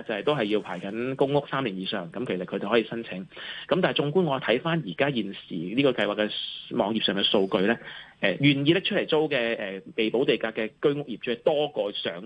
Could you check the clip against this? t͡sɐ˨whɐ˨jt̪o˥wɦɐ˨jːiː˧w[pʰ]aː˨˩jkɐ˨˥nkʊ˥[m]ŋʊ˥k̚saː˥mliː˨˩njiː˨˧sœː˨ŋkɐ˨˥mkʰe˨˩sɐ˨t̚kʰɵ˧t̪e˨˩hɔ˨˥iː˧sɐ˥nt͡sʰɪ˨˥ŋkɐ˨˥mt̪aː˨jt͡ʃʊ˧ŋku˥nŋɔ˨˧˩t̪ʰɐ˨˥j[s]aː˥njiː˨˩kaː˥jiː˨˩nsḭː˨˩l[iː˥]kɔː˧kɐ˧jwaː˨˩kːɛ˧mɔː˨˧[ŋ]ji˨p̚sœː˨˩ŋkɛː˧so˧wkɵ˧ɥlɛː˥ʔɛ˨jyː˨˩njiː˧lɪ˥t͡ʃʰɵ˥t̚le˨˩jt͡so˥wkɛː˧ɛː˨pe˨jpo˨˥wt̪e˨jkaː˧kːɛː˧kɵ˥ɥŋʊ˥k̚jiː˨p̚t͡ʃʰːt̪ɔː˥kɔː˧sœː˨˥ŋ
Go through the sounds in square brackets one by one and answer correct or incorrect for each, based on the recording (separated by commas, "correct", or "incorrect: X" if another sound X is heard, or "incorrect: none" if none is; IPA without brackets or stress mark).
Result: correct, incorrect: ŋ, incorrect: f, correct, correct